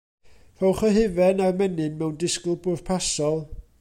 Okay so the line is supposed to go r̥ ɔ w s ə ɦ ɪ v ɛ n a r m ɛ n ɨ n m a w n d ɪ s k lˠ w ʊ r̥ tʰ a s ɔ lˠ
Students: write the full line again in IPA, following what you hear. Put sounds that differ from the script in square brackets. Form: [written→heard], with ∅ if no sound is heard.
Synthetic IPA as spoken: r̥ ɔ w [s→χ] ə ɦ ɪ v ɛ n a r m ɛ n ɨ n m [a→ɛ] w n d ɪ s k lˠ [w→b] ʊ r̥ [tʰ→pʰ] a s ɔ lˠ

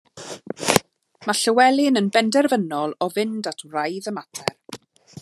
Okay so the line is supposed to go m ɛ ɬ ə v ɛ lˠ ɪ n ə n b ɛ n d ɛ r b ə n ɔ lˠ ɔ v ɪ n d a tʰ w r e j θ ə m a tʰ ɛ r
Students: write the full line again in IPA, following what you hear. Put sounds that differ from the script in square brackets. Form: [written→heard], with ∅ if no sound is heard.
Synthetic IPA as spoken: m [ɛ→a] ɬ ə [v→w] ɛ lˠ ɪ n ə n b ɛ n d ɛ r [b→v] ə n ɔ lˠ ɔ v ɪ n d a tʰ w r [e→a] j [θ→ð] ə m a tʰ ɛ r

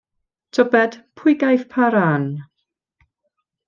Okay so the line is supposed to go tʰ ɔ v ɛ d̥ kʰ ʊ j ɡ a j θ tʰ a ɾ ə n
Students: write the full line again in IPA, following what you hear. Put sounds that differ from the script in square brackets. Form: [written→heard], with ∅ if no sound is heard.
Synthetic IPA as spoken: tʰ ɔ [v→b] ɛ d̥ [kʰ→pʰ] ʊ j ɡ a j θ [tʰ→pʰ] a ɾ [ə→a] n

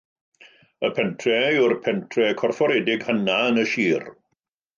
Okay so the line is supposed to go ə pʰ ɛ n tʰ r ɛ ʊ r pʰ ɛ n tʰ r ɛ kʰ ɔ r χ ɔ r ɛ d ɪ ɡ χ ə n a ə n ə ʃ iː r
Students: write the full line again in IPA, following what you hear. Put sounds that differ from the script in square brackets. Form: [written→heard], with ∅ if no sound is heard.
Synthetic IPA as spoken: ə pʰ ɛ n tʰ r ɛ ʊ r pʰ ɛ n tʰ r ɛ kʰ ɔ r [χ→f] ɔ [r→ɾ] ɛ d ɪ ɡ [χ→h] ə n a ə n ə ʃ iː r

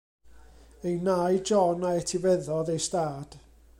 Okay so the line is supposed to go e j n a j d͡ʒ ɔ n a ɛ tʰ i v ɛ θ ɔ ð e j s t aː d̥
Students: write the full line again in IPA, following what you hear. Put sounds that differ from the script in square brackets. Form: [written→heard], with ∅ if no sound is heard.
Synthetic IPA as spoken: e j n a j d͡ʒ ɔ n a ɛ tʰ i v ɛ [θ→ð] ɔ ð e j s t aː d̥

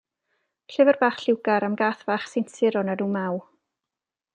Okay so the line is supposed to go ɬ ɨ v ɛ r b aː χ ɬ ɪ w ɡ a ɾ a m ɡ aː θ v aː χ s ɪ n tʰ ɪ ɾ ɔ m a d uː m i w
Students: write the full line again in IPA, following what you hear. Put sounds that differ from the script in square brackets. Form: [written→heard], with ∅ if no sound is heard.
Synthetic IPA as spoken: ɬ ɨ v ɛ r b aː χ ɬ ɪ w ɡ a ɾ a m ɡ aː θ v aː χ s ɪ n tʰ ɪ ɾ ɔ [m→n] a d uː m [i→a] w

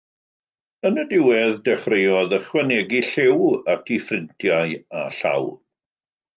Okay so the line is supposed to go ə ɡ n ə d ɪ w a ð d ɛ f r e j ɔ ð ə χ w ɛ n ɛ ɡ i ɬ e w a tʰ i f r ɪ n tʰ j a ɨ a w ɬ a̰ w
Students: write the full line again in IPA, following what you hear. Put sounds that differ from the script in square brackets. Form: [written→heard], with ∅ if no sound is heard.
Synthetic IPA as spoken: ə [ɡ→∅] n ə d ɪ w [a→ɛ] ð d ɛ [f→χ] r e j ɔ ð ə χ w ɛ n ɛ ɡ i ɬ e w a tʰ i f r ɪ n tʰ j a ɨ a [w→∅] ɬ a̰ w

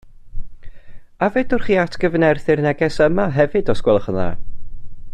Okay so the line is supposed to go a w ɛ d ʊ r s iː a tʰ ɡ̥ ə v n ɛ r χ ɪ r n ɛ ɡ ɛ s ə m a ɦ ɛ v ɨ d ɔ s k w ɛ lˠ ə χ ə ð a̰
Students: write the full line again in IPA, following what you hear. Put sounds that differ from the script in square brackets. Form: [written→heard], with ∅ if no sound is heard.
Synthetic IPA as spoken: a [w→v] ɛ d ʊ r [s→χ] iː a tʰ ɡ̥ ə v n ɛ r [χ→θ] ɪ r n ɛ ɡ ɛ s ə m a ɦ ɛ v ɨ d ɔ s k w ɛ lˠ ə χ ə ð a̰

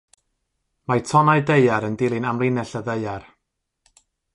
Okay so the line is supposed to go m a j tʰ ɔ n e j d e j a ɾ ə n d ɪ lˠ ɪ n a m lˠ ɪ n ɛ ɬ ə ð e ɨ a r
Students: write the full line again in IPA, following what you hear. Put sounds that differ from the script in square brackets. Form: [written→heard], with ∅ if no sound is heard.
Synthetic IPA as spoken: m a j tʰ ɔ n [e→a] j d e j a ɾ ə n d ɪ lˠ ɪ n a m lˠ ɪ n ɛ ɬ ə ð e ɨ a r

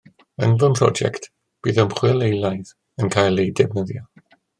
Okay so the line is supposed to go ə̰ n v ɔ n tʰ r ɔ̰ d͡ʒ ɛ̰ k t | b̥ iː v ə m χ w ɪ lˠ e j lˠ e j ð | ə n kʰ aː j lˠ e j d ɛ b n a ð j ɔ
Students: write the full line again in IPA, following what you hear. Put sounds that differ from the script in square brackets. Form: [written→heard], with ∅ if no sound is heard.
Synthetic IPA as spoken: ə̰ n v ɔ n [tʰ→pʰ] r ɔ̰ d͡ʒ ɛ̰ k t | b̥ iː [v→ð] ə m χ w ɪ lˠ e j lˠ [e→a] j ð | ə n kʰ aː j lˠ e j d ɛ b n [a→ə] ð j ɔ

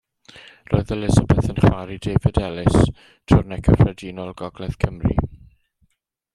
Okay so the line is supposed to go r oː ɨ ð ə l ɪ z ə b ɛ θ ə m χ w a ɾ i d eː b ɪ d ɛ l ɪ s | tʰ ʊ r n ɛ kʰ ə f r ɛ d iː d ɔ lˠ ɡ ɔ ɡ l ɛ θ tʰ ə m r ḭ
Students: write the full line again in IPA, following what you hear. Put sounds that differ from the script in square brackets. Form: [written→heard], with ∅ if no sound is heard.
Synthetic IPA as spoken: r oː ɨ ð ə l ɪ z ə b ɛ θ ə [m→n] χ w a ɾ i d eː [b→v] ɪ d ɛ l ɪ s | tʰ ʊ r n ɛ kʰ ə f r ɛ d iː [d→n] ɔ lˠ ɡ ɔ ɡ l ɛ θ [tʰ→kʰ] ə m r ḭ

